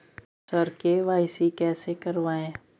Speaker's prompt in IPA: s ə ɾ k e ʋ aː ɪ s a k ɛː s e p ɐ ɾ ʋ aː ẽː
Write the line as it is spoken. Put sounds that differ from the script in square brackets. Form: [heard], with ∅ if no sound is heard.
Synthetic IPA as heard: s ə ɾ k e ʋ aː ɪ s [i] k ɛː s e [k] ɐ ɾ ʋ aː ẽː